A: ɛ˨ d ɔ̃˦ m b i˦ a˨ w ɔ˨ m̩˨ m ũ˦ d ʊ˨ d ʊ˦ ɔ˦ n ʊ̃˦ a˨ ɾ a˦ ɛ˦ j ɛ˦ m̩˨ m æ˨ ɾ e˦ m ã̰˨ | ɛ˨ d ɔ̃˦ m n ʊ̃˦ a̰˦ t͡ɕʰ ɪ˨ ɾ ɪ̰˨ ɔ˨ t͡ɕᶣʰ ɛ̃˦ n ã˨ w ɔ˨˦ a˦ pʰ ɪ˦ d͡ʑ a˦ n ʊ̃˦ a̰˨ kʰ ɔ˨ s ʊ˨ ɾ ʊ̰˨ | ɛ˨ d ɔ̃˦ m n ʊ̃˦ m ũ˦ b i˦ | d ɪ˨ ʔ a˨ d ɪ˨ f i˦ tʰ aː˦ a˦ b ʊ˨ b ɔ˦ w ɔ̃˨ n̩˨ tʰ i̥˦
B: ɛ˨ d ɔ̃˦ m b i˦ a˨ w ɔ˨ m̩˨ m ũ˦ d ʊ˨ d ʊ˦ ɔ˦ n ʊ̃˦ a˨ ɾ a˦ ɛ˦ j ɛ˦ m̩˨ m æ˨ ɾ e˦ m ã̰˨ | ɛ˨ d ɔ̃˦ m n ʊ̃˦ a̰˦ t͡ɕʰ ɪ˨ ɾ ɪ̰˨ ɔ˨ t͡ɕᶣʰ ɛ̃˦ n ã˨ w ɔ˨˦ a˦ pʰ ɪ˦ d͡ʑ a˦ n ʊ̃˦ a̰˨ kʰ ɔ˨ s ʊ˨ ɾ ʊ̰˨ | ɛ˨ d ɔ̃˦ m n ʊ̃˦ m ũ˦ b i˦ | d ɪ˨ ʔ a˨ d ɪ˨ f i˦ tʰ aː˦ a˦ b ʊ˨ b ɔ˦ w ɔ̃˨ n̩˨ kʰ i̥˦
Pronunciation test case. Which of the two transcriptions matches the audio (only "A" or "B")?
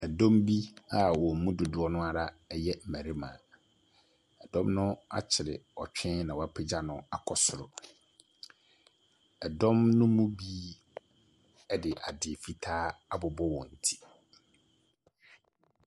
A